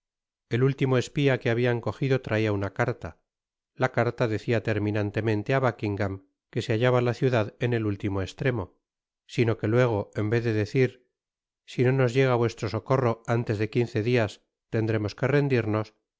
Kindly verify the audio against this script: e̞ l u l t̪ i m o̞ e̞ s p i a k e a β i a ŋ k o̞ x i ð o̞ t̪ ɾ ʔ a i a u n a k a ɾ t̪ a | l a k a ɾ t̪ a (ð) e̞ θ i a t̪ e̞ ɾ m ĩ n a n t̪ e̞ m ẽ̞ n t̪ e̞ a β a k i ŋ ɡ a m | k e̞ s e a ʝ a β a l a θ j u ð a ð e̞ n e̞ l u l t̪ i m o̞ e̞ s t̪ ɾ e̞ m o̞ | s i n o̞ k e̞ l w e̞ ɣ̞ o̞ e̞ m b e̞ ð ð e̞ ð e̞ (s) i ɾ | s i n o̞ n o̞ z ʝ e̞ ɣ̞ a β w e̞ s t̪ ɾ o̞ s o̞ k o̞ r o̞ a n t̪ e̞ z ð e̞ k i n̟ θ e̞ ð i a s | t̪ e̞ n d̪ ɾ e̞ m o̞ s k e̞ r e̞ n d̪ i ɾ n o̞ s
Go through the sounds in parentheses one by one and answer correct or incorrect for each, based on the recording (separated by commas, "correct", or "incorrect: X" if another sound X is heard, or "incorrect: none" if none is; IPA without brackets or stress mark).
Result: correct, incorrect: θ